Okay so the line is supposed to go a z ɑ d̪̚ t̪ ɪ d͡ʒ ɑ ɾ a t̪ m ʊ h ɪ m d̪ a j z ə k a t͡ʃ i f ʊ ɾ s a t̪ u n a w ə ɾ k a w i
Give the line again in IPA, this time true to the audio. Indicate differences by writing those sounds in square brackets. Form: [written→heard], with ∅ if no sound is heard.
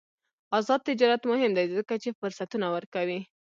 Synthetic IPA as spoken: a z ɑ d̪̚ t̪ ɪ d͡ʒ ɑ ɾ a t̪ m ʊ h ɪ m d̪ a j z ə k a t͡ʃ [i→e] f ʊ ɾ s a t̪ u n a w ə ɾ k a w i